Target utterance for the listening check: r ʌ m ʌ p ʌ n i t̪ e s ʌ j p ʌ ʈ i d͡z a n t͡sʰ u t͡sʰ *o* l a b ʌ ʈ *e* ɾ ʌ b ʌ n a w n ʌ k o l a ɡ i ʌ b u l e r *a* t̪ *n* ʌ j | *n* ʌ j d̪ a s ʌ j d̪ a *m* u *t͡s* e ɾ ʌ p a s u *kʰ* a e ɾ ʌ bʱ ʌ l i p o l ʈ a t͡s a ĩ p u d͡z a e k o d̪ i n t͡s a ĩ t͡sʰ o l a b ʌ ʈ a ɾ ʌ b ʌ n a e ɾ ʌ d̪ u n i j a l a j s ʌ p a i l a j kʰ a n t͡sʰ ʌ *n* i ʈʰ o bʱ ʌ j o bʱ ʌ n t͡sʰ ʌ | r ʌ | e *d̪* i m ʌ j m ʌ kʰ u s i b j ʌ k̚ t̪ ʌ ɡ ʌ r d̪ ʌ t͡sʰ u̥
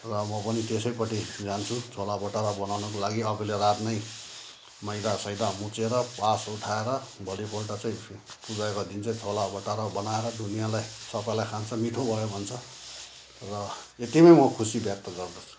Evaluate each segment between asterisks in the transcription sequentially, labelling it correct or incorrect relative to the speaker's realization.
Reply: correct, incorrect: a, correct, correct, incorrect: m, correct, correct, incorrect: ʈʰ, incorrect: m, incorrect: t̪

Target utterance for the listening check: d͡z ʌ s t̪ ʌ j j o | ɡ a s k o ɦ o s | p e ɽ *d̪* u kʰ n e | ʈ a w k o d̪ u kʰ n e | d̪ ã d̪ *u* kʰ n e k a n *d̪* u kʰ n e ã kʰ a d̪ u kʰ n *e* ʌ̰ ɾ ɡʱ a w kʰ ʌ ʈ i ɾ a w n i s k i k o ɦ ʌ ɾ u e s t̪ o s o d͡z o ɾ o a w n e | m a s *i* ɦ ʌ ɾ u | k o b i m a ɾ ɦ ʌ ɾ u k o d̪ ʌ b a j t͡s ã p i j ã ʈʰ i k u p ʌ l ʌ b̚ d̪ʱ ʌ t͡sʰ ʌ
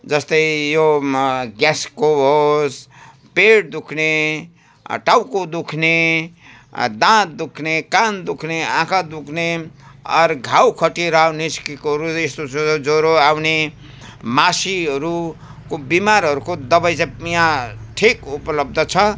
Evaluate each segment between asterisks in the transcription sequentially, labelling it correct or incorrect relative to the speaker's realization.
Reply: correct, correct, correct, correct, correct

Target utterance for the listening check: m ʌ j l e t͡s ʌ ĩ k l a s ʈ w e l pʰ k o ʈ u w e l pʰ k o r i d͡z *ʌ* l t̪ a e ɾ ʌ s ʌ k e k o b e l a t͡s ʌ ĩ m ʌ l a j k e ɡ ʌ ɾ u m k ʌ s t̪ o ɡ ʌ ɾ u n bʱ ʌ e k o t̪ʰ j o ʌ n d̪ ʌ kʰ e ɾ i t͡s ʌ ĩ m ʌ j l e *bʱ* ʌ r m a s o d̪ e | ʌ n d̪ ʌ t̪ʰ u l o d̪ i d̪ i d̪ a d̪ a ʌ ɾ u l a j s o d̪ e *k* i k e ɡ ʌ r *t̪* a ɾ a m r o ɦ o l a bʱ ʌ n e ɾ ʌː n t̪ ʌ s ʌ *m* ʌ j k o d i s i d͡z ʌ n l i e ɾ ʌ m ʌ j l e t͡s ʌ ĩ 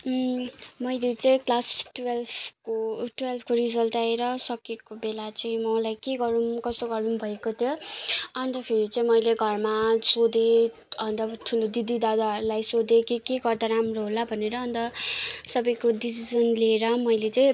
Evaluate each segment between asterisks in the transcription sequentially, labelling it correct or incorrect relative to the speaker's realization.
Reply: correct, incorrect: ɡʱ, correct, incorrect: d̪, incorrect: b

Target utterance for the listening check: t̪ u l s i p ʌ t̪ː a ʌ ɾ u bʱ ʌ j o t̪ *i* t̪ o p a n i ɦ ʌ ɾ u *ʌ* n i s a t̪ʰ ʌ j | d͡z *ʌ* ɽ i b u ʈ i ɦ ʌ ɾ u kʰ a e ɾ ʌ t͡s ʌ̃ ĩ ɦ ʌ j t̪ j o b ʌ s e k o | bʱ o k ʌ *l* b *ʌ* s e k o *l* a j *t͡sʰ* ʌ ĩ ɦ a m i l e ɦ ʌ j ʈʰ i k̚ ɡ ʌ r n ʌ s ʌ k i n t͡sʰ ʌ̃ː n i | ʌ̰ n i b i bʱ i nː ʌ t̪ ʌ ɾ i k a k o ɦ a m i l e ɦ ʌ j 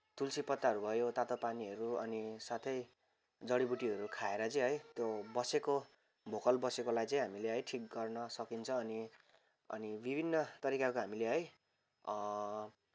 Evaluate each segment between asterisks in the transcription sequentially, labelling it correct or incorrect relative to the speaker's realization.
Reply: incorrect: a, correct, correct, correct, correct, correct, incorrect: t͡s

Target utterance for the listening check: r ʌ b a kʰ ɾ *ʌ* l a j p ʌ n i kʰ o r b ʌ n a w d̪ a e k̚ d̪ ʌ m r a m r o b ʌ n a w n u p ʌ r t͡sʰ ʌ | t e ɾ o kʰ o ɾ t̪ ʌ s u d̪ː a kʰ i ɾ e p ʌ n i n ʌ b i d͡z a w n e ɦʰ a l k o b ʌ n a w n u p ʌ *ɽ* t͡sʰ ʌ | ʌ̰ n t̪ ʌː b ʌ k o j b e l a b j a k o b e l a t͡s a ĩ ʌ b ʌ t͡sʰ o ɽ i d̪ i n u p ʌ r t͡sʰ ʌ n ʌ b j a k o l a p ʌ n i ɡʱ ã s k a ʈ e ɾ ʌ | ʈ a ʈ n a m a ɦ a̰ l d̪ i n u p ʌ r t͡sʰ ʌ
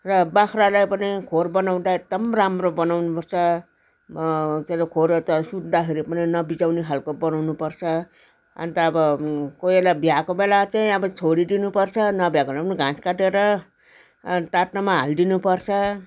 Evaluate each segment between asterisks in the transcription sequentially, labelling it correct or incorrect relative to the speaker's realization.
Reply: incorrect: a, incorrect: r

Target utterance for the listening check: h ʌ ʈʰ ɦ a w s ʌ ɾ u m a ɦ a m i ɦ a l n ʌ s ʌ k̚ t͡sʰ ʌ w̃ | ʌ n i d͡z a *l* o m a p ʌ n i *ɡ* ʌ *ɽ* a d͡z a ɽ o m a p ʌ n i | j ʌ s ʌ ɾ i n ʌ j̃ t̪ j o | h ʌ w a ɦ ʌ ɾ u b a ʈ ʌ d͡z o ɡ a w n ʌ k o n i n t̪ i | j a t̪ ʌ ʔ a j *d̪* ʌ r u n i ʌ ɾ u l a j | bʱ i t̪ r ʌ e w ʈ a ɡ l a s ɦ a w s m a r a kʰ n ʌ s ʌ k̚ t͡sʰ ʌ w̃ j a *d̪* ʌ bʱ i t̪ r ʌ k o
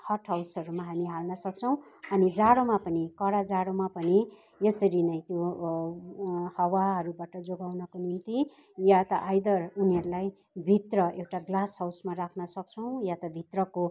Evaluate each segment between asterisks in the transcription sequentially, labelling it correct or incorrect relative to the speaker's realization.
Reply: incorrect: ɽ, incorrect: k, correct, correct, incorrect: t̪

